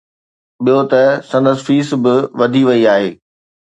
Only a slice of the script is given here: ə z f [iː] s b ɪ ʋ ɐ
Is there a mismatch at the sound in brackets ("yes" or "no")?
no